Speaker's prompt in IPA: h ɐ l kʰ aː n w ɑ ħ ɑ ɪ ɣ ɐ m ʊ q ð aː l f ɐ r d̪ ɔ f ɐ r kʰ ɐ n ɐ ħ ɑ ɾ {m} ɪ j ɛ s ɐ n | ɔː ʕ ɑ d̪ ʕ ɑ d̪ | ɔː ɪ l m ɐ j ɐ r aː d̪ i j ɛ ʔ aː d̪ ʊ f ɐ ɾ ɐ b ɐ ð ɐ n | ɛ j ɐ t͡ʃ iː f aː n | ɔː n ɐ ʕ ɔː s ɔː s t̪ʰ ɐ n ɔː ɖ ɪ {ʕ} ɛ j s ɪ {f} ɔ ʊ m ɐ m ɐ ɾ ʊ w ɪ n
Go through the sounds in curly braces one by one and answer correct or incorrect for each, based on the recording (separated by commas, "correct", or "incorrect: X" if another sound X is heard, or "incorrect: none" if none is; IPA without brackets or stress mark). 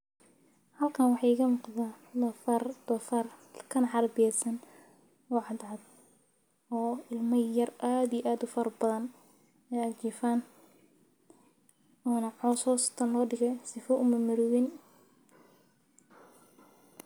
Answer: incorrect: b, incorrect: ɣ, correct